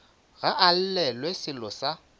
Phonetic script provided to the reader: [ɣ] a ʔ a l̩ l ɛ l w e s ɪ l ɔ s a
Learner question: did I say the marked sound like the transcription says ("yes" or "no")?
yes